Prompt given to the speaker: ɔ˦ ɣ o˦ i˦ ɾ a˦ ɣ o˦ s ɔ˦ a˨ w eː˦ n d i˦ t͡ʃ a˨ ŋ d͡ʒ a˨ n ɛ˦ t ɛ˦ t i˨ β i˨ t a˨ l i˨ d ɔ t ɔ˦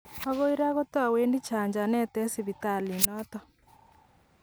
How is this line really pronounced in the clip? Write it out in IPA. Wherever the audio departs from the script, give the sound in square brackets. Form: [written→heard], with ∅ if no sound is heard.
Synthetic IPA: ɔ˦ ɣ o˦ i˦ ɾ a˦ ɣ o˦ [s→t] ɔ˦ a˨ w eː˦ n d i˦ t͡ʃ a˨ [ŋ→ɲ] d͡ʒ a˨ n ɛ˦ t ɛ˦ [t→s] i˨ β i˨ t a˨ l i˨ [d→n] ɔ t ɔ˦